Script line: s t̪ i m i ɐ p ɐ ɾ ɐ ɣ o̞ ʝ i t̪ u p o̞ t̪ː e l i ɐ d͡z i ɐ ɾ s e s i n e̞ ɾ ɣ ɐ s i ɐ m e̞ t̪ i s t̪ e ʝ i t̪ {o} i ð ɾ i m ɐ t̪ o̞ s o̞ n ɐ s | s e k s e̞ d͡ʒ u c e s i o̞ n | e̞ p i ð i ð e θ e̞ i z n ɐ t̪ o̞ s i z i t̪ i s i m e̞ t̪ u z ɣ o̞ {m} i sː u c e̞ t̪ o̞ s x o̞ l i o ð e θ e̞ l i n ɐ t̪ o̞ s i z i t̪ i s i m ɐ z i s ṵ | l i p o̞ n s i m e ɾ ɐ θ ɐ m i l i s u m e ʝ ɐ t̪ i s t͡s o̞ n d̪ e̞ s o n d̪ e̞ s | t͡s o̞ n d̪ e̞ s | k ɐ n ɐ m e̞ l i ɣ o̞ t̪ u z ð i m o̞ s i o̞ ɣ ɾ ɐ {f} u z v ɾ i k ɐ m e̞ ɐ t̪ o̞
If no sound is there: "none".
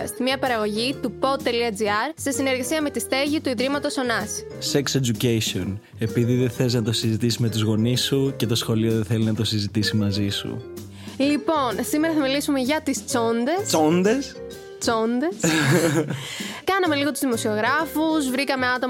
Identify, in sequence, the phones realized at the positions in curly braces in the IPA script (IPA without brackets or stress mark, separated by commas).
u, n, f